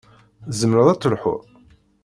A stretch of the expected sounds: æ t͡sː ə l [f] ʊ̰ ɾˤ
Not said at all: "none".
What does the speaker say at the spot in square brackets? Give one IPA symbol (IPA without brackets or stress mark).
ħ